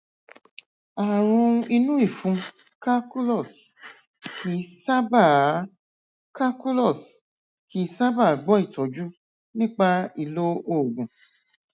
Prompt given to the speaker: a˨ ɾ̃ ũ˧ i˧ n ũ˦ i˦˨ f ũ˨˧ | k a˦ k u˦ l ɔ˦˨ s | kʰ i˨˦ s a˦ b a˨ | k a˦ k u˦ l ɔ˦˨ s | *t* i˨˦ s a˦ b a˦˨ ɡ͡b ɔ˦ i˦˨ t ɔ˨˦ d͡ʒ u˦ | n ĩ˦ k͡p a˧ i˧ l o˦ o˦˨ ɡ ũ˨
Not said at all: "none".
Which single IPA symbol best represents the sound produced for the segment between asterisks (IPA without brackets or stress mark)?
k